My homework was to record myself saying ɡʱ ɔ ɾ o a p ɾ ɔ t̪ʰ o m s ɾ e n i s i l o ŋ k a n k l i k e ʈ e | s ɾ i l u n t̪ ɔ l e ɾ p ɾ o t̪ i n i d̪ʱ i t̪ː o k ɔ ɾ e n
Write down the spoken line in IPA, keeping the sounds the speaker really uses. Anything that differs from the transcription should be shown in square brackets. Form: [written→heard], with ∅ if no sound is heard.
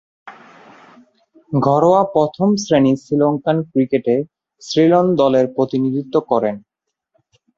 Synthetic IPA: ɡʱ ɔ ɾ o a p ɾ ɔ t̪ʰ o m s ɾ e n i s i l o ŋ k a n k [l→ɾ] i k e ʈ e | s ɾ i l [u→o] n [t̪→d̪] ɔ l e ɾ p ɾ o t̪ i n i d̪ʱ i t̪ː o k ɔ ɾ e n